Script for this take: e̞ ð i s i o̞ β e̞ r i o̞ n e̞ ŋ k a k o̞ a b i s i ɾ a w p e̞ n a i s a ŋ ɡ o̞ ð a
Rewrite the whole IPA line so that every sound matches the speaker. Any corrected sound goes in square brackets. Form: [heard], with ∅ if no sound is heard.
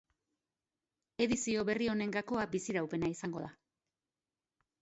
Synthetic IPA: e̞ ð i s i o̞ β e̞ r i o̞ n e̞ ŋ [ɡ] a k o̞ a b i s i ɾ a w p e̞ n a i s a ŋ ɡ o̞ ð a

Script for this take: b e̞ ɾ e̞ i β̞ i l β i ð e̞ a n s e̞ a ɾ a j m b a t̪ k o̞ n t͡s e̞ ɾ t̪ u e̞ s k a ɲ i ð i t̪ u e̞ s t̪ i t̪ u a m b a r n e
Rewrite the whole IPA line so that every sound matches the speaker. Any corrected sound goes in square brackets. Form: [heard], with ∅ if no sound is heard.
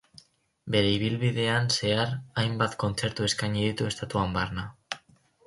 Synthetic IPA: b e̞ ɾ e̞ i β̞ i l β i ð e̞ a n s e̞ a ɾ a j m b a t̪ k o̞ n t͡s e̞ ɾ t̪ u e̞ s k a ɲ i ð i t̪ u e̞ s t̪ [a] t̪ u a m b a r n [a]

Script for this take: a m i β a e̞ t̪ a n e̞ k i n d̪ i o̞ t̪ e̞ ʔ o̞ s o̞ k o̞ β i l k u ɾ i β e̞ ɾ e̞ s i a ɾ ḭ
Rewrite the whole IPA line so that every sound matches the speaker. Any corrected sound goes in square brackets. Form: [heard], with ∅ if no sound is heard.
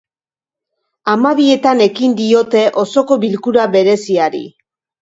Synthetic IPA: a m [a] β [i] e̞ t̪ a n e̞ k i n d̪ i o̞ t̪ e̞ ʔ o̞ s o̞ k o̞ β i l k u ɾ [a] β e̞ ɾ e̞ s i a ɾ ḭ

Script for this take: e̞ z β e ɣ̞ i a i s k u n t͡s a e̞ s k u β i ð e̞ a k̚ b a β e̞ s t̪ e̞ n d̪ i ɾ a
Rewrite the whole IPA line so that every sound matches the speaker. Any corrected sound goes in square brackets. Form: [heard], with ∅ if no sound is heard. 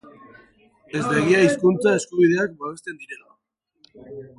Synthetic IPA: e̞ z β e ɣ̞ i a i s k u n t͡s a e̞ s k u β i ð e̞ a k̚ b a β e̞ s t̪ e̞ n d̪ i ɾ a

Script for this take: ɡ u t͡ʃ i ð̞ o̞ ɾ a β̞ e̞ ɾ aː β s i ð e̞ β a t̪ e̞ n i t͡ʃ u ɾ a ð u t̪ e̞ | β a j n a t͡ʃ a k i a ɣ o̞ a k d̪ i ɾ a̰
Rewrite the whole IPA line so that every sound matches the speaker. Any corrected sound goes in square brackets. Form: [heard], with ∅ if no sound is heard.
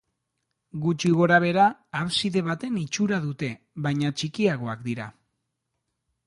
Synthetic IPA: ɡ u t͡ʃ i [ɣ̞] o̞ ɾ a β̞ e̞ ɾ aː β s i ð e̞ β a t̪ e̞ n i t͡ʃ u ɾ a ð u t̪ e̞ | β a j [ɲ] a t͡ʃ [i] k i a ɣ o̞ a k d̪ i ɾ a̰

